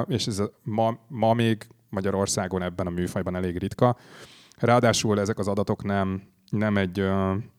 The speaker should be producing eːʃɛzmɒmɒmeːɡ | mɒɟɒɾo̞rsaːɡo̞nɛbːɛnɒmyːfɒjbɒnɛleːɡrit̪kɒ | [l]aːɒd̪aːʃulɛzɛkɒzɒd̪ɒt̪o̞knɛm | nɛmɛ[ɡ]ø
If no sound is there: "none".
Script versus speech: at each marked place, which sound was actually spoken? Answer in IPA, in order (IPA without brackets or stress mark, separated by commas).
r, ɟ